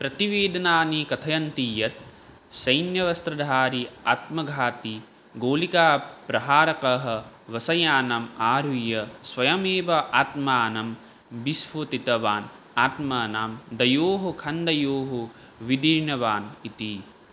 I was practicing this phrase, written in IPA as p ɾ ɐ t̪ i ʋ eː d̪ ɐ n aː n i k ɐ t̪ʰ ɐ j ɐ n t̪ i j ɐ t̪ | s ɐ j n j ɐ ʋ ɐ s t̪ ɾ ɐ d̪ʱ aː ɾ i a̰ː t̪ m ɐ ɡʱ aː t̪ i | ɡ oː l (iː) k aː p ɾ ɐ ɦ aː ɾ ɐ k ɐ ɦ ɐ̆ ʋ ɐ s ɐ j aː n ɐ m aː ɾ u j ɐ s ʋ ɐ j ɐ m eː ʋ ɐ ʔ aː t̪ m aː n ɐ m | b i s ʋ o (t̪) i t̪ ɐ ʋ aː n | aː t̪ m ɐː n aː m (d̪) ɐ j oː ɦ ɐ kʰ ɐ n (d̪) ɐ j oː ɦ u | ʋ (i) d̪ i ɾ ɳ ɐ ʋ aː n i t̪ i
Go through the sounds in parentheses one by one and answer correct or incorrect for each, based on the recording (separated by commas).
incorrect, correct, correct, correct, correct